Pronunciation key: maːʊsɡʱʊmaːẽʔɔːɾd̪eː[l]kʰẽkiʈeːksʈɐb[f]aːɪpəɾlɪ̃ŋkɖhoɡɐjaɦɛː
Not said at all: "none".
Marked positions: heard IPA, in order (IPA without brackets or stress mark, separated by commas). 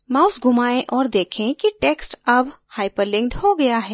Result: none, h